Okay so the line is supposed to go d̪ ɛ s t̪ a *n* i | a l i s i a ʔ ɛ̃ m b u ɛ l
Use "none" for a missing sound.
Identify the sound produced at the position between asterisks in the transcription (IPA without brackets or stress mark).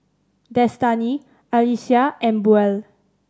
n